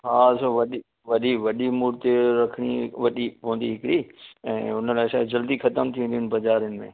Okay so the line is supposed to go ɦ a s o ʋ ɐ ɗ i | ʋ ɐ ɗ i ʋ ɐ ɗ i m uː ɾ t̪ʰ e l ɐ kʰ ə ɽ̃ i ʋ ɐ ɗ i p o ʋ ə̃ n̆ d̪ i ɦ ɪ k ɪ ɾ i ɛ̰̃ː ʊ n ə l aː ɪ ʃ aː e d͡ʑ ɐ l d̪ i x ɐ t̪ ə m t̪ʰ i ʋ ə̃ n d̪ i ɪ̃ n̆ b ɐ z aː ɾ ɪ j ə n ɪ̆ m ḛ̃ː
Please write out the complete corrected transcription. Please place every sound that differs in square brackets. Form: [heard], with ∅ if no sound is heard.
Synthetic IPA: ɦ a s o ʋ ɐ ɗ i | ʋ ɐ ɗ i ʋ ɐ ɗ i m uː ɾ [t̪] e [ɾ] ɐ kʰ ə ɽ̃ i ʋ ɐ ɗ i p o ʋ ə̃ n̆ d̪ i ɦ ɪ k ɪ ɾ i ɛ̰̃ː ʊ n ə l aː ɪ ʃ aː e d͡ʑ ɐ l d̪ i x ɐ t̪ ə m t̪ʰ i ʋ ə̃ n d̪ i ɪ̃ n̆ b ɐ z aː ɾ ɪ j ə n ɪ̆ m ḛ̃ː

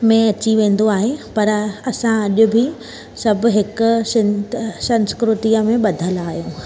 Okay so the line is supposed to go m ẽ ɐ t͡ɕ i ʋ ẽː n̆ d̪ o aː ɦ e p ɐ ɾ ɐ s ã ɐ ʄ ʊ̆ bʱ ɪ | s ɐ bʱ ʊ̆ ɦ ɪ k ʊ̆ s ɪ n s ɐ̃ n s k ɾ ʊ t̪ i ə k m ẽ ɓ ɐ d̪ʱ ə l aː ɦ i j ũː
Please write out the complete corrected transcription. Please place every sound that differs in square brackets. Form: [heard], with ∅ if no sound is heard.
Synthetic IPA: m ẽ ɐ t͡ɕ i ʋ ẽː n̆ d̪ o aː ɦ e p ɐ ɾ ɐ s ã ɐ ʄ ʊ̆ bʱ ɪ | s ɐ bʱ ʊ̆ ɦ ɪ k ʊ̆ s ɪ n s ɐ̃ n s k ɾ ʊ t̪ i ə [∅] m ẽ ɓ ɐ d̪ʱ ə l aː ɦ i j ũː

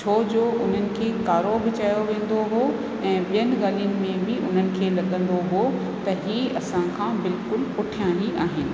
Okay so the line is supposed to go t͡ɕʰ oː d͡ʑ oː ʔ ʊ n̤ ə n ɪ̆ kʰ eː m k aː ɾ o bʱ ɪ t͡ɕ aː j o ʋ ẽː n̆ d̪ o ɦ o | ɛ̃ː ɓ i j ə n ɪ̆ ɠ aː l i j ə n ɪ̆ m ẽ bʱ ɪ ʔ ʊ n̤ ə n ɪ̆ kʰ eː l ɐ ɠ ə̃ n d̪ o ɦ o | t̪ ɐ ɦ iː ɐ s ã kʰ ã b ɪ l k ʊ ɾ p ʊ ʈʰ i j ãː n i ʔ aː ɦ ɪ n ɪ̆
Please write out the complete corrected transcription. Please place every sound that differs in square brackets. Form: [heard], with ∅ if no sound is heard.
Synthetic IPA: t͡ɕʰ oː d͡ʑ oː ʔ ʊ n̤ ə n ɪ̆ kʰ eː [∅] k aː ɾ o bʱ ɪ t͡ɕ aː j o ʋ ẽː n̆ d̪ o ɦ o | ɛ̃ː ɓ i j ə n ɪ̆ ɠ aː l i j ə n ɪ̆ m ẽ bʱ ɪ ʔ ʊ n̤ ə n ɪ̆ kʰ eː l ɐ ɠ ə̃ n d̪ o ɦ o | t̪ ɐ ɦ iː ɐ s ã kʰ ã b ɪ l k ʊ [l] p ʊ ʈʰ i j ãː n i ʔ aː ɦ ɪ n ɪ̆

